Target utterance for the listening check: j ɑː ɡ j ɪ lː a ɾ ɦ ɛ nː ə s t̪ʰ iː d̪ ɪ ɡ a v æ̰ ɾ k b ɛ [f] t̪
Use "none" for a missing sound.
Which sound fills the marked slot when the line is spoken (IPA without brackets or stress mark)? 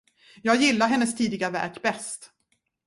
s